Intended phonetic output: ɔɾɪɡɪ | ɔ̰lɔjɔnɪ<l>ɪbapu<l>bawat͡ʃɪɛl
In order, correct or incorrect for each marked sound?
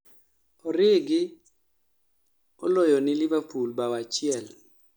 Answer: correct, correct

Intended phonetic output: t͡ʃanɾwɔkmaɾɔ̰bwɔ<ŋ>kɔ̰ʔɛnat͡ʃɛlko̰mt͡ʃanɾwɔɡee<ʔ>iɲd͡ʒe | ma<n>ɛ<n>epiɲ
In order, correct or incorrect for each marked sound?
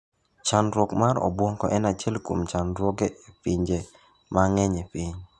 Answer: correct, incorrect: p, incorrect: ŋ, incorrect: ɲ

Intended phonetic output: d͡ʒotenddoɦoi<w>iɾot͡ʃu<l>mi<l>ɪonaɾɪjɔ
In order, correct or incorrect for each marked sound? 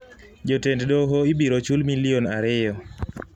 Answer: incorrect: b, correct, correct

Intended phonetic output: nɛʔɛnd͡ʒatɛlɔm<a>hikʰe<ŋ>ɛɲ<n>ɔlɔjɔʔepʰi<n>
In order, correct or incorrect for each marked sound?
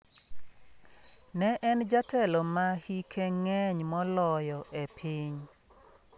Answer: correct, correct, incorrect: m, incorrect: ɲ

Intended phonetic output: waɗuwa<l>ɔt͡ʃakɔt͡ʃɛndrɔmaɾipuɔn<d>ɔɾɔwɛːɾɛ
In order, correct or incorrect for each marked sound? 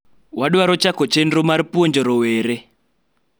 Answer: incorrect: ɾ, incorrect: d͡ʒ

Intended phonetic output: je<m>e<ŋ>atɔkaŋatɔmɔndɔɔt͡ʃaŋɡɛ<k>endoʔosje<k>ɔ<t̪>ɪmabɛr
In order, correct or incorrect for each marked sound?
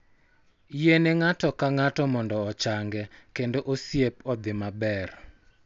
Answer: incorrect: n, correct, correct, incorrect: p, incorrect: d̪

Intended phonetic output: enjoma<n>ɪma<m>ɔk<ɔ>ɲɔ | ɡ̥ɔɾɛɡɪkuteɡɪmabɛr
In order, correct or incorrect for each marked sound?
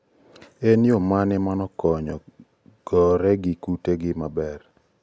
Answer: correct, incorrect: n, correct

